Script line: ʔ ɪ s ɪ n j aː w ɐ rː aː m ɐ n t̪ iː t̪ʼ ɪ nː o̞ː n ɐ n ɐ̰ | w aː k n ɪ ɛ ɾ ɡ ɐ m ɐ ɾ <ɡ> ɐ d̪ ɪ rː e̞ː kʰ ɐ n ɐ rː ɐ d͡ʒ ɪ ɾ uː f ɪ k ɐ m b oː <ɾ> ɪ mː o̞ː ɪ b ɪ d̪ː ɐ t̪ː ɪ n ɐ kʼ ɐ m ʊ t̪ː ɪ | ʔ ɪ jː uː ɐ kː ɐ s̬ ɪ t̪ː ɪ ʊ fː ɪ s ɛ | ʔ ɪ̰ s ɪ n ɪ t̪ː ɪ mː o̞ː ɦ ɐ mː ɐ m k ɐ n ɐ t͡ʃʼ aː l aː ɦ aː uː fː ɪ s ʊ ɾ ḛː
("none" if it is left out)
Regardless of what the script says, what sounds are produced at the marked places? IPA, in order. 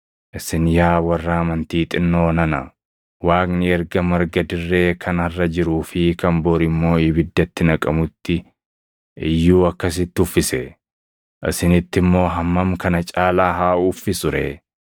ɡ, ɾ

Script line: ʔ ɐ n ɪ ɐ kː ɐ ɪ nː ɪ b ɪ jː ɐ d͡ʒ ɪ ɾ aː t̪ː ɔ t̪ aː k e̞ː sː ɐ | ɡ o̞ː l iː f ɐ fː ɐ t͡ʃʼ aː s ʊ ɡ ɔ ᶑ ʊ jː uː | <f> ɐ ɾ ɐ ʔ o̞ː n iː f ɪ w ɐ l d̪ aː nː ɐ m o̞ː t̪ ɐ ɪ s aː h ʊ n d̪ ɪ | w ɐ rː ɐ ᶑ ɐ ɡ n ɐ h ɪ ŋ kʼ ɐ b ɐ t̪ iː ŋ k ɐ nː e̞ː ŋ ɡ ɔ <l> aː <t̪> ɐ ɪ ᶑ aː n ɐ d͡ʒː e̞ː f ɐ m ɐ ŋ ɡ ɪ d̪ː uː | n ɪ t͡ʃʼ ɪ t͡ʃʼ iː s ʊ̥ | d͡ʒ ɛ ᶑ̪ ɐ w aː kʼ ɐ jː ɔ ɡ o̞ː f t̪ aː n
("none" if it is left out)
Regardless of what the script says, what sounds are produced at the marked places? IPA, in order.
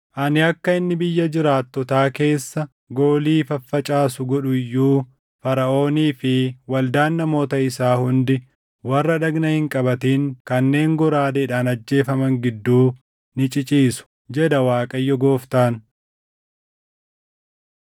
f, ɾ, d̪

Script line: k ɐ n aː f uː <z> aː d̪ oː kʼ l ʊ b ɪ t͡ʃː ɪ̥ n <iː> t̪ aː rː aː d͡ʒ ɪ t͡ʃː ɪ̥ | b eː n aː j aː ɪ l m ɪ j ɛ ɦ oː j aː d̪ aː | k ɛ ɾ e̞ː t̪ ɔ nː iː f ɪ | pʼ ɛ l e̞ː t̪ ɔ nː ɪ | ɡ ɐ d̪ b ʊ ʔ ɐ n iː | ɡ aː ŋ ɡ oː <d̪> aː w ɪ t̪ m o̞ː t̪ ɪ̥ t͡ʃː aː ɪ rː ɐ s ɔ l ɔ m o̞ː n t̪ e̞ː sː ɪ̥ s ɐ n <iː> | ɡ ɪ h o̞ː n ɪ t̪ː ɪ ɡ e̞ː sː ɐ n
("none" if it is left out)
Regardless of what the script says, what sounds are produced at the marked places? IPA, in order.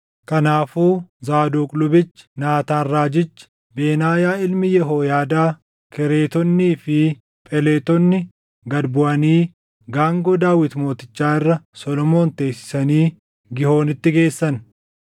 z, aː, d̪, iː

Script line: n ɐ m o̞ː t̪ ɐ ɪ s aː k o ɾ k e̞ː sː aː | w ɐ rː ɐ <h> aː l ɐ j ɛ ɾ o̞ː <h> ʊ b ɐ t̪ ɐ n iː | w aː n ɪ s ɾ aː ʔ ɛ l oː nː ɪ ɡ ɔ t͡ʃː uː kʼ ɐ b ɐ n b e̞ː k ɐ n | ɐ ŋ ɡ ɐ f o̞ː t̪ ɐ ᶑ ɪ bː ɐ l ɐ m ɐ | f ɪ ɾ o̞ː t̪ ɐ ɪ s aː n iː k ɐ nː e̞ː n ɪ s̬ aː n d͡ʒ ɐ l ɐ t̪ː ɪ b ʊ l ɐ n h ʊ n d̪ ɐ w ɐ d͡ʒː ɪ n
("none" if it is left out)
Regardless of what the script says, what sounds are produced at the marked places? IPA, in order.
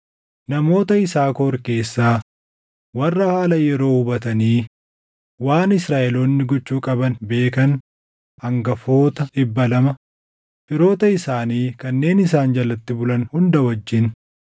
h, h

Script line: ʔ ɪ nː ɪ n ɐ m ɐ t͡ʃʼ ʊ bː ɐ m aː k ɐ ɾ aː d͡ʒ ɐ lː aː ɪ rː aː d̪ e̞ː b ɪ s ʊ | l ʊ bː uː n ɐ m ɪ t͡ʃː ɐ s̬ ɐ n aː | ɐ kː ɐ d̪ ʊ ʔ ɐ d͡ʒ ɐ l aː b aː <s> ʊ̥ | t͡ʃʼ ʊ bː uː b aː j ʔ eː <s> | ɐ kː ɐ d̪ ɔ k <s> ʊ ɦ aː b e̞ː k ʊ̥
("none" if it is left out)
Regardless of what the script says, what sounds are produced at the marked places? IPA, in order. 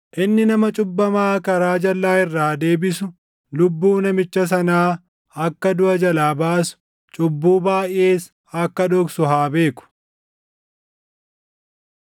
s, s, s

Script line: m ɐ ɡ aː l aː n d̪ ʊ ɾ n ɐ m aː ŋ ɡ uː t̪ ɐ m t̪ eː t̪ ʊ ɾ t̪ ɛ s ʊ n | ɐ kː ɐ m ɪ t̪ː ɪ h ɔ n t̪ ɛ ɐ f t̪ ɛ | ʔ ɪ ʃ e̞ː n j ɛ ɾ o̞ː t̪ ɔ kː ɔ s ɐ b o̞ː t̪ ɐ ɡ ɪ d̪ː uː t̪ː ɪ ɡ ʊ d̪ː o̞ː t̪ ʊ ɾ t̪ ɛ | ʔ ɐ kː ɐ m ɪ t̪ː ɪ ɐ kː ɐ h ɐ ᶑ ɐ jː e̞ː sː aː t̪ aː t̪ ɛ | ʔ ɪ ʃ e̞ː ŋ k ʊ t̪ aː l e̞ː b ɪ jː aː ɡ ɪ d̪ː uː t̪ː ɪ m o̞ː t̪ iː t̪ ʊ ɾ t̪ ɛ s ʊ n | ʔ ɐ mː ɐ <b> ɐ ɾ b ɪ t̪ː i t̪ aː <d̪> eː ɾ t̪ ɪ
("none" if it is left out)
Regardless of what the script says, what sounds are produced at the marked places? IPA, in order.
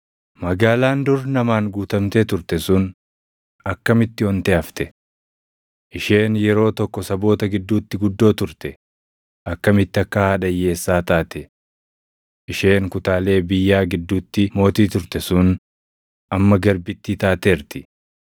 ɡ, t̪

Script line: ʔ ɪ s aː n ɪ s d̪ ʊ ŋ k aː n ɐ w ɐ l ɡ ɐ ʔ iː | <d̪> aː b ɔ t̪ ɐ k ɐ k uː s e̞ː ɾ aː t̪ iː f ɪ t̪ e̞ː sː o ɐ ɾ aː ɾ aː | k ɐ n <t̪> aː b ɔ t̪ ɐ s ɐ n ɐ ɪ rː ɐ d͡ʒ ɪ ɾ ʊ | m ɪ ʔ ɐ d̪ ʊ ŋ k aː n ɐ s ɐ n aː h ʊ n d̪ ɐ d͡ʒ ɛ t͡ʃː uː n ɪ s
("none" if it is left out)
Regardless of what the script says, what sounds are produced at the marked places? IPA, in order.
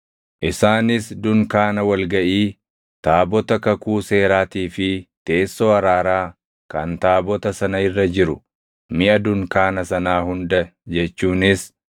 t̪, t̪

